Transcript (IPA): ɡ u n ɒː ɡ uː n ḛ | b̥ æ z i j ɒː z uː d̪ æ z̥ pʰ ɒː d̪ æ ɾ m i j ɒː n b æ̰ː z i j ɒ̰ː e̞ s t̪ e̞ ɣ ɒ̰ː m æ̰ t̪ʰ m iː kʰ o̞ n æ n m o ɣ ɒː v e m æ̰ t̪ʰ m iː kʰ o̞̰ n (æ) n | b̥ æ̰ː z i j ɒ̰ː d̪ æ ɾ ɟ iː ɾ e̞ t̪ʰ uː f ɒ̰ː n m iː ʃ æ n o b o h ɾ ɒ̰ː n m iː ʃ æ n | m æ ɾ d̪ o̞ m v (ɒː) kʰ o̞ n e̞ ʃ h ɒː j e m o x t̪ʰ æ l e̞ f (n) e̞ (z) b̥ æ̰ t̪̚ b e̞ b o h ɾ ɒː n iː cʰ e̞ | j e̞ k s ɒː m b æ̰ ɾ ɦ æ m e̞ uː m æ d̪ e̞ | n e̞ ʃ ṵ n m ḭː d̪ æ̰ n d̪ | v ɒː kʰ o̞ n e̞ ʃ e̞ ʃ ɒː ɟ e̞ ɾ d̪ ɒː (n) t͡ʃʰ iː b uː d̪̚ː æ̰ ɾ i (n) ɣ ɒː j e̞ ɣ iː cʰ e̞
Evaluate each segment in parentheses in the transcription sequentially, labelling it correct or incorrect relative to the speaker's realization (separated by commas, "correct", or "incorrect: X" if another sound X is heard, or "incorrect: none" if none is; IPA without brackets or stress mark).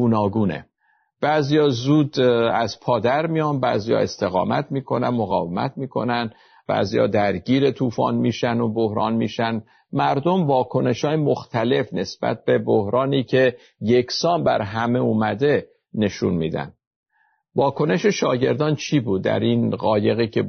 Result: correct, correct, correct, incorrect: s, correct, correct